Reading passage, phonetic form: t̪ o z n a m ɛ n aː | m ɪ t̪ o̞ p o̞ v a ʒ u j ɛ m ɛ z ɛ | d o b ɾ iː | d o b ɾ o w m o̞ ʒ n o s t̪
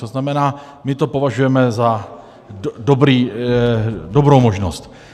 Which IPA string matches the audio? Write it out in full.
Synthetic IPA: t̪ o z n a m ɛ n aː | m ɪ t̪ o̞ p o̞ v a ʒ u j ɛ m ɛ z a | d o b ɾ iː | d o b ɾ o w m o̞ ʒ n o s t̪

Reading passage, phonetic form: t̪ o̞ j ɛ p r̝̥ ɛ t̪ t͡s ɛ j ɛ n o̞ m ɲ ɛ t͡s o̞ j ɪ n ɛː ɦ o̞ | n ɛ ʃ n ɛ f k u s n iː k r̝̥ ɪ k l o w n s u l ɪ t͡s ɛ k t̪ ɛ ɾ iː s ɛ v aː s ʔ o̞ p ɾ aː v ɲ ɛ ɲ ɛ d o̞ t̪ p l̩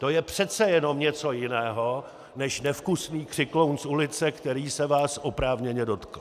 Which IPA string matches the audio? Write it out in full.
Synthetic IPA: t̪ o̞ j ɛ p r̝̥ ɛ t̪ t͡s ɛ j ɛ n o̞ m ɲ ɛ t͡s o̞ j ɪ n ɛː ɦ o̞ | n ɛ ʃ n ɛ f k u s n iː k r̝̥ ɪ k l o w n s u l ɪ t͡s ɛ k t̪ ɛ ɾ iː s ɛ v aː s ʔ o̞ p ɾ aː v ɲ ɛ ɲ ɛ d o̞ t̪ k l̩

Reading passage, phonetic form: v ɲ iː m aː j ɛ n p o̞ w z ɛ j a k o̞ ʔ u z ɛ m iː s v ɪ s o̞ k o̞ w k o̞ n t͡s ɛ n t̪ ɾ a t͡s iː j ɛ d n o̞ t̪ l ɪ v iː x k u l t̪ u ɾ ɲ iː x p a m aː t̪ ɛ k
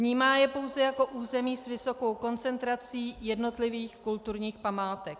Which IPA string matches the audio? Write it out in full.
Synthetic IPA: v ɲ iː m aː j ɛ p o̞ w z ɛ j a k o̞ ʔ uː z ɛ m iː s v ɪ s o̞ k o̞ w k o̞ n t͡s ɛ n t̪ ɾ a t͡s iː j ɛ d n o̞ t̪ l ɪ v iː x k u l t̪ u ɾ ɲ iː x p a m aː t̪ ɛ k

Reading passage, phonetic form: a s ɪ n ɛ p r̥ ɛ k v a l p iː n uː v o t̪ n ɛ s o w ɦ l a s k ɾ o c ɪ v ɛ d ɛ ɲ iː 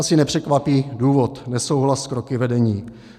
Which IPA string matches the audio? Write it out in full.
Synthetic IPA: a s ɪ n ɛ p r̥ ɛ k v a p iː d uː v o t̪ n ɛ s o w ɦ l a s k ɾ o k ɪ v ɛ d ɛ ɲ iː

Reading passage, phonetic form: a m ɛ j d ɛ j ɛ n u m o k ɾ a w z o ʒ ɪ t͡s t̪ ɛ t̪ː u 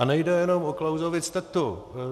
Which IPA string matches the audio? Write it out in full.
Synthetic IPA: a n ɛ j d ɛ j ɛ n o m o k l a w z o v ɪ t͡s t̪ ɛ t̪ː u

